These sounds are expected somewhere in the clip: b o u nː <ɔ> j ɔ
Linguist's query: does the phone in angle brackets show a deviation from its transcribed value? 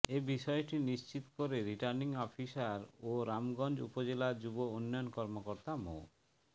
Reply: no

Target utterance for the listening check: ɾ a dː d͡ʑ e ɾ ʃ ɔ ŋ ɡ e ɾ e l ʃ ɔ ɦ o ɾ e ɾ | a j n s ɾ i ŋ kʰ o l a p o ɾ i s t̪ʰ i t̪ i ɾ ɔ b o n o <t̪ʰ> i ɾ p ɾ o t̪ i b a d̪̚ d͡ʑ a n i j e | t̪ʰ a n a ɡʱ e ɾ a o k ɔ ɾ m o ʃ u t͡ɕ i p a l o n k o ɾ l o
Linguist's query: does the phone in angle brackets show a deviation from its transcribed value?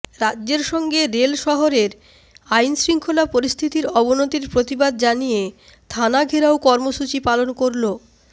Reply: yes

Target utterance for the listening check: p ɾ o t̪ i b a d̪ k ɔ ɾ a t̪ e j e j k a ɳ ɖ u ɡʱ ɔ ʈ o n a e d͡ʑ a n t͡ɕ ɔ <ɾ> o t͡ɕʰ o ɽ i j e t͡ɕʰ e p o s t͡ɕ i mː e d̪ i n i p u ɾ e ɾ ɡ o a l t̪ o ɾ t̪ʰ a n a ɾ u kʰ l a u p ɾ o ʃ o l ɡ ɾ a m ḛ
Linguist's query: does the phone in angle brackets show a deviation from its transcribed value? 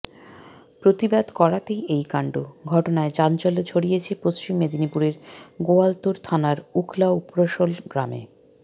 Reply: yes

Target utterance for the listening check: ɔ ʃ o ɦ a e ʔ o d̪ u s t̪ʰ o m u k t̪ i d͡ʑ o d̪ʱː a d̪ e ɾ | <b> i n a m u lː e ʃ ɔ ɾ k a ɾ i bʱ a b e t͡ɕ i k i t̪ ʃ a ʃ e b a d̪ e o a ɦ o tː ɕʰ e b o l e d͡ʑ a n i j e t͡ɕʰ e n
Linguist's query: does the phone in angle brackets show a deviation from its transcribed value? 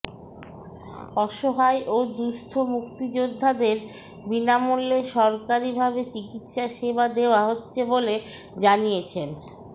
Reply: no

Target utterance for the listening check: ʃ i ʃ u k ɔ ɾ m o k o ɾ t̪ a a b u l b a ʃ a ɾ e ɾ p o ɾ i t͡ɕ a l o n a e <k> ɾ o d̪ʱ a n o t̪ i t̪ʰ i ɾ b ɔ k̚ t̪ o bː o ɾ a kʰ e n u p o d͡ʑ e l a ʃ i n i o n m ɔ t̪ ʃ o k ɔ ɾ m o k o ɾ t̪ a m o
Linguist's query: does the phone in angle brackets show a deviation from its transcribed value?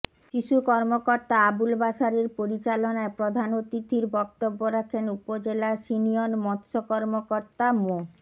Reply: yes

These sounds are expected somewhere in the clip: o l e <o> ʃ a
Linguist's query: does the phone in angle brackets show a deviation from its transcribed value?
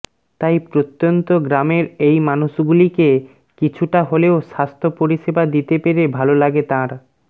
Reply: no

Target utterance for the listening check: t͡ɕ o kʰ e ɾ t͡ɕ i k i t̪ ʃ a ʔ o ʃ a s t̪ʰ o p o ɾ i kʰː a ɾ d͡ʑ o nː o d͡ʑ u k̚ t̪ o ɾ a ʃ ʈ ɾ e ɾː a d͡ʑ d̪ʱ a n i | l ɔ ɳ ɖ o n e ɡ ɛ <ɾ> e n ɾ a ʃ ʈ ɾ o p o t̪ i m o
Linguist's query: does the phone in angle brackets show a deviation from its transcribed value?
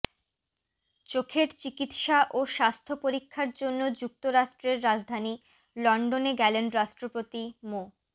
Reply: yes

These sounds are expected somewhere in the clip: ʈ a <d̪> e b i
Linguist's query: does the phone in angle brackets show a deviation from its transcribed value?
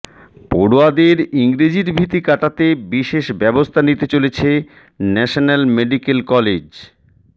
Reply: yes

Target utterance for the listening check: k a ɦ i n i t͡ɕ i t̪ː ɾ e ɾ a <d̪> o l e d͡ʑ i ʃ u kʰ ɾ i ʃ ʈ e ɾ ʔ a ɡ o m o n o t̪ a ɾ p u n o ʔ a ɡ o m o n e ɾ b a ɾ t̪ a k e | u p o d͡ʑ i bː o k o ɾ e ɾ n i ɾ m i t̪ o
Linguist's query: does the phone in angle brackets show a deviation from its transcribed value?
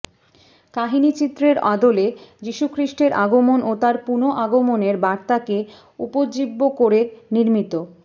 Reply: no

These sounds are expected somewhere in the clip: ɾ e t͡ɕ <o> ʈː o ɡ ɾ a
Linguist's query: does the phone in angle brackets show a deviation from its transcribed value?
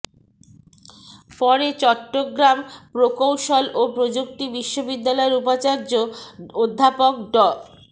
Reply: yes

